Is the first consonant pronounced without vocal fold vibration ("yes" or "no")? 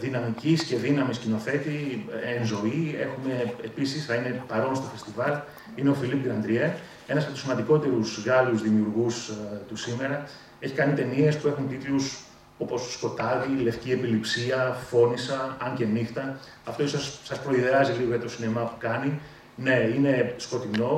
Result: no